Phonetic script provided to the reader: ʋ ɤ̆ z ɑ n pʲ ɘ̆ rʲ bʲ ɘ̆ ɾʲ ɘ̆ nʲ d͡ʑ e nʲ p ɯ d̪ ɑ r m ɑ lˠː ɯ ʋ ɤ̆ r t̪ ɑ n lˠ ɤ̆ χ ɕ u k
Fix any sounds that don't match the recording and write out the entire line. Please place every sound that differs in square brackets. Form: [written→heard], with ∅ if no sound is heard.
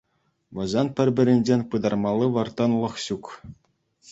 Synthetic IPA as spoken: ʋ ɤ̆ z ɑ n pʲ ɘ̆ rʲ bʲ ɘ̆ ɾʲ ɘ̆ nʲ d͡ʑ e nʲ p ɯ d̪ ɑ r m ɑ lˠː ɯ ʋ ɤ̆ r t̪ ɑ n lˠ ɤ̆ χ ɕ u k